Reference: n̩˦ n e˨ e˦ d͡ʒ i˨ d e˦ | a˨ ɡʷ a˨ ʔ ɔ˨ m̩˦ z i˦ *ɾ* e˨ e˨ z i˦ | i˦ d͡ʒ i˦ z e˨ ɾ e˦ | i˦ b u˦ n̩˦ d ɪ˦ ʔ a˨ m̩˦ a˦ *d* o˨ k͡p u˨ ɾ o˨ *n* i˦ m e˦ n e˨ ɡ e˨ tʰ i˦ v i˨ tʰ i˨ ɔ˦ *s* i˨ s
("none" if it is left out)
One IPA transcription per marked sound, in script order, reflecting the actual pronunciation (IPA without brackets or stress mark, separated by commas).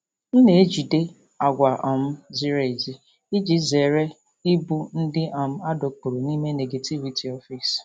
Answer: ɾ, d, n, f